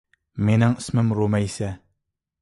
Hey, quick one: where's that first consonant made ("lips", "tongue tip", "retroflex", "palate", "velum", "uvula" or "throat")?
lips